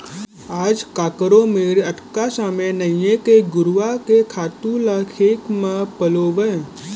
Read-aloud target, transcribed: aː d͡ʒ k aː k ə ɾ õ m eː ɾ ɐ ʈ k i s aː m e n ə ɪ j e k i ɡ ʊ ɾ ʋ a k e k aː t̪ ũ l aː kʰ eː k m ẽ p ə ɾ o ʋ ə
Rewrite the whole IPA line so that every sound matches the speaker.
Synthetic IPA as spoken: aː d͡ʒ k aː k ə ɾ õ m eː ɾ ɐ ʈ k a s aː m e n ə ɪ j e k e ɡ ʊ ɾ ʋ a k e kʰ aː t̪ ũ l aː kʰ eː k m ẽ p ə l o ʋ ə